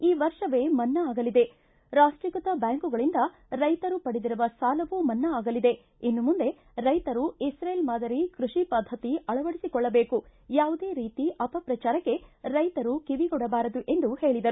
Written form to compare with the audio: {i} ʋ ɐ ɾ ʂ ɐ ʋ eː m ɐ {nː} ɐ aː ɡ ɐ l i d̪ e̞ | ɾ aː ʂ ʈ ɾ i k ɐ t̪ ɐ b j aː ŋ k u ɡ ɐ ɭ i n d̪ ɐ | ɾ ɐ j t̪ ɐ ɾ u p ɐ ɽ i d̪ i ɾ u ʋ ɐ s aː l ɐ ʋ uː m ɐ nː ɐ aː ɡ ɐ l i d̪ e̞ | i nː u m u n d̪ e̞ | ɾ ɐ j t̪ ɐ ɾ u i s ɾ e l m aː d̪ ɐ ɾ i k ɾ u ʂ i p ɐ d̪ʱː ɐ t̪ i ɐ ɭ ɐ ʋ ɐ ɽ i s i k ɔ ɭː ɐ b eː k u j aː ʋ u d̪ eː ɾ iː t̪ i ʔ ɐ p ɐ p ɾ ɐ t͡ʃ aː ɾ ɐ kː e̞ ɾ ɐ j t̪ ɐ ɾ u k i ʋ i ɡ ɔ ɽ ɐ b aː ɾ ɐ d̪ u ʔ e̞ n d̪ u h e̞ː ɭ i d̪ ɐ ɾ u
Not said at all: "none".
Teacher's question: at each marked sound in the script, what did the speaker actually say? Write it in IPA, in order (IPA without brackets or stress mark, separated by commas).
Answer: iː, nː